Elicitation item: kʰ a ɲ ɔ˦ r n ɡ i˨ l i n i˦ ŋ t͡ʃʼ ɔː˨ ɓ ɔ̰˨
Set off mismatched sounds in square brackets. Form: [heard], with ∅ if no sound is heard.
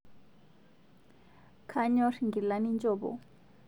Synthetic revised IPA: kʰ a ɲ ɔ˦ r [ŋ] ɡ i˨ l [a] n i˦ [n] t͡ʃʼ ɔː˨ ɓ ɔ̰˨

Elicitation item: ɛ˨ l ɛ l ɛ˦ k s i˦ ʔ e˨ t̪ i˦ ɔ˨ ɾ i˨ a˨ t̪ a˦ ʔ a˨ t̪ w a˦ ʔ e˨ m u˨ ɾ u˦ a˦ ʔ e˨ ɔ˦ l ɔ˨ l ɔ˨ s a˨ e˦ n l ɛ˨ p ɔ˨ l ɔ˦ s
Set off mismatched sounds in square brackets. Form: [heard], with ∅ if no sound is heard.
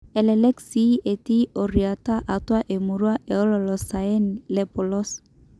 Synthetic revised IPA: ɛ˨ l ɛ l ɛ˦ k s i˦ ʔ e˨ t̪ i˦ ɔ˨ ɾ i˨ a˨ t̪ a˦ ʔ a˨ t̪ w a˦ ʔ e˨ m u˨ ɾ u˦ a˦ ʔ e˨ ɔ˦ l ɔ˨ l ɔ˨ s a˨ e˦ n l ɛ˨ p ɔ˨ l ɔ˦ s

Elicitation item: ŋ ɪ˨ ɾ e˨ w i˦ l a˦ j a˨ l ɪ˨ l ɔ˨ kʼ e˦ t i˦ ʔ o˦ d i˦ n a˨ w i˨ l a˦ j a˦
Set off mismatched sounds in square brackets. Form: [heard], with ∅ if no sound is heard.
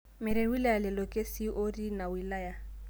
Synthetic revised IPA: [m] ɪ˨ ɾ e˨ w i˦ l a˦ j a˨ l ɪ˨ l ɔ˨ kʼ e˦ [s] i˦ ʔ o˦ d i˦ n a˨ w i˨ l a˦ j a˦

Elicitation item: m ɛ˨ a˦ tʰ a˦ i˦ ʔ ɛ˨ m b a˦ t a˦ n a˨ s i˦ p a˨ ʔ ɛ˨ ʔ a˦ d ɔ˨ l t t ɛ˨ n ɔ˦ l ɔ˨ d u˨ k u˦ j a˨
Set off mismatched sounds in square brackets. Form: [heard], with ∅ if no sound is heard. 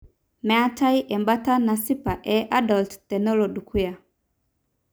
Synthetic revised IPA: m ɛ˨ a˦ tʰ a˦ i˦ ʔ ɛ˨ m b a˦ t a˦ n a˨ s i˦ p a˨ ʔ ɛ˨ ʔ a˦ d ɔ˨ l t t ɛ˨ n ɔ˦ l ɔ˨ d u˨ k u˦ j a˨

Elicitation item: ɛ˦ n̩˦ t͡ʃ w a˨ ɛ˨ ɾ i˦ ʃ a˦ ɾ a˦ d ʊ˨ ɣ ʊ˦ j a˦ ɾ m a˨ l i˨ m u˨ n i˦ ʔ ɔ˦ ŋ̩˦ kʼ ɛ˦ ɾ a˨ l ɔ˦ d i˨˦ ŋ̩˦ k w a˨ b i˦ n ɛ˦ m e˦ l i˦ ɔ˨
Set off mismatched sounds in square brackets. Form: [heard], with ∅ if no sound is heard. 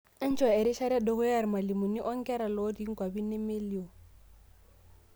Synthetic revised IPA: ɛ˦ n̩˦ t͡ʃ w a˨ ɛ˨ ɾ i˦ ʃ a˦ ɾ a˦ d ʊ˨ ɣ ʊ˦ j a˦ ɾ m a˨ l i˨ m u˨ n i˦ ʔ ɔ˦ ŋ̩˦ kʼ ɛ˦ ɾ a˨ l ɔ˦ d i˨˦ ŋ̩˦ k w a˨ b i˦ n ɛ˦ m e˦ l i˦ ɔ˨

